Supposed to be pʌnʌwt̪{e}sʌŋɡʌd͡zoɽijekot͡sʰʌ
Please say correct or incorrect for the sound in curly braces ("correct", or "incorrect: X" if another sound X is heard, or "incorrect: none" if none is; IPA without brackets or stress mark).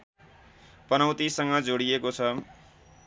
incorrect: i